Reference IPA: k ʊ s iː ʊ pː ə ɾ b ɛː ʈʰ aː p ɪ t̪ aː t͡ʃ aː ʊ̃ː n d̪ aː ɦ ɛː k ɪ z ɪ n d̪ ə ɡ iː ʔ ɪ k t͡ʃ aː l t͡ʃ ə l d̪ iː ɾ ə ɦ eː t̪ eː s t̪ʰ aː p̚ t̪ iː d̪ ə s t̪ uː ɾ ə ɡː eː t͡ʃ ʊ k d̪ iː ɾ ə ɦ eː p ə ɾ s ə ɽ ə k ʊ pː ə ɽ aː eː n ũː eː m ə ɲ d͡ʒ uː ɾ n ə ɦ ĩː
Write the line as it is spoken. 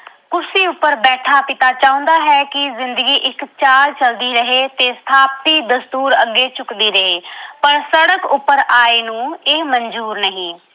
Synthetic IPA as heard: k ʊ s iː ʊ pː ə ɾ b ɛː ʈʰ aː p ɪ t̪ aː t͡ʃ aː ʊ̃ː n d̪ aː ɦ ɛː k ɪ z ɪ n d̪ ə ɡ iː ʔ ɪ k t͡ʃ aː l t͡ʃ ə l d̪ iː ɾ ə ɦ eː t̪ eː s t̪ʰ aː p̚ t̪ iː d̪ ə s t̪ uː ɾ ə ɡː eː t͡ʃ ʊ k d̪ iː ɾ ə ɦ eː p ə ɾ s ə ɽ ə k ʊ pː ə ɾ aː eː n ũː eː m ə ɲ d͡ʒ uː ɾ n ə ɦ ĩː